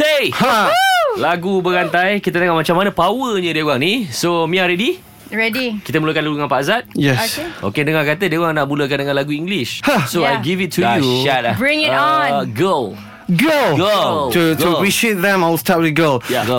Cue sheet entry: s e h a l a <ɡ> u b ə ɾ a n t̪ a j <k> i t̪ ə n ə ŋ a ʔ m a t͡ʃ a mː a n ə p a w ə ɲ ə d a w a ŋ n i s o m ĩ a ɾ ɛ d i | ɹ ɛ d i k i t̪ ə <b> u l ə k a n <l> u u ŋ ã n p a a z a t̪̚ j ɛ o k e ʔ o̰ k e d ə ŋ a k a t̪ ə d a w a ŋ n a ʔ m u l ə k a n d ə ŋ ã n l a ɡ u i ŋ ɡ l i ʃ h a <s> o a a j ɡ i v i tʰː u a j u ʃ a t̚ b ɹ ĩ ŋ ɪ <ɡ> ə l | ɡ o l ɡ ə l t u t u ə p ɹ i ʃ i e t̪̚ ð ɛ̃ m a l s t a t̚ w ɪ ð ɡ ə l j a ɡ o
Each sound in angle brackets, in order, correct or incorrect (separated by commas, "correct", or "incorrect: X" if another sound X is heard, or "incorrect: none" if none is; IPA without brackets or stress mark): correct, correct, incorrect: m, correct, correct, correct